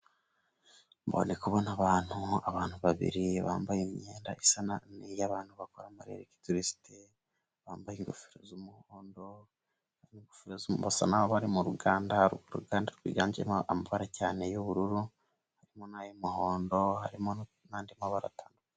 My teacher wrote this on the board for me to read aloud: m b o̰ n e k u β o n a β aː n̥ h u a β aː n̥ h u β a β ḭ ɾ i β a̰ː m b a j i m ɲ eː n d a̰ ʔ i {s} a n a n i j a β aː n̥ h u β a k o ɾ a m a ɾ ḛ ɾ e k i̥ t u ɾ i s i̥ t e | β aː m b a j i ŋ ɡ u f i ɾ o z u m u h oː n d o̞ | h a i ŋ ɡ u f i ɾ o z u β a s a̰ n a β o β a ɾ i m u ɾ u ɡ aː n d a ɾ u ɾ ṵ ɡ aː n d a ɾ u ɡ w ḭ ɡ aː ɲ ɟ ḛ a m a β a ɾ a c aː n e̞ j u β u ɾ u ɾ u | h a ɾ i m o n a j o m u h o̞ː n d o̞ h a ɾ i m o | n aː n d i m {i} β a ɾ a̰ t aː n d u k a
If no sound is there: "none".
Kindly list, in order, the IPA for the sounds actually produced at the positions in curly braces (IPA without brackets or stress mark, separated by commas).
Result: s, a